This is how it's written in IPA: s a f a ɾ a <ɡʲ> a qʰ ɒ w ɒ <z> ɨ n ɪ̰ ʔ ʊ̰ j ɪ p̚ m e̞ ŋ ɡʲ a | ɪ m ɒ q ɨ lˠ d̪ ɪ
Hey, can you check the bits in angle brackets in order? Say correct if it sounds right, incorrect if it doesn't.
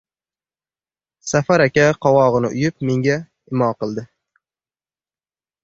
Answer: incorrect: kʲ, incorrect: ʁ

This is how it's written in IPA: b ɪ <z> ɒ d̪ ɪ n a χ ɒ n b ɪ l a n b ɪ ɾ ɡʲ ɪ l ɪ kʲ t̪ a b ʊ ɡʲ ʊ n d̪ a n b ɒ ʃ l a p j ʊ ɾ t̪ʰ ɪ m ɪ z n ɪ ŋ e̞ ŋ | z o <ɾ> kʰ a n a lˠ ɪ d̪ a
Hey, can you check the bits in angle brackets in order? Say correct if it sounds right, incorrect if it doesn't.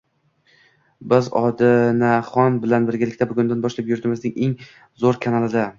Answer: correct, correct

